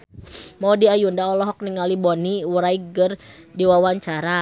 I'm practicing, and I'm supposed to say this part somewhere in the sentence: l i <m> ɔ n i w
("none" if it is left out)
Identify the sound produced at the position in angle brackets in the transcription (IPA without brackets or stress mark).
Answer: b